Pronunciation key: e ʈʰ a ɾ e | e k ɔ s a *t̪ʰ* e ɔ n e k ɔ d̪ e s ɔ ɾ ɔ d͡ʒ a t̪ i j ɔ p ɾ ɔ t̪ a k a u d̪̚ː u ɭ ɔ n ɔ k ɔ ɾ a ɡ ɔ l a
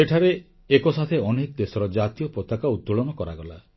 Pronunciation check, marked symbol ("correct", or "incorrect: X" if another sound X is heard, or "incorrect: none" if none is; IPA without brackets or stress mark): correct